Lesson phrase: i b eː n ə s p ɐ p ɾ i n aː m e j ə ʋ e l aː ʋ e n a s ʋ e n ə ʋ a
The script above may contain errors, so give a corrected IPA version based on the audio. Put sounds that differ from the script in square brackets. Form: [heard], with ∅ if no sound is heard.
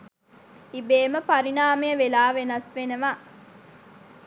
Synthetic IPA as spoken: i b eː [m] ə [∅] p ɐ [∅] ɾ i n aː m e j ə ʋ e l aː ʋ e n [ɐ] s ʋ e n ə ʋ a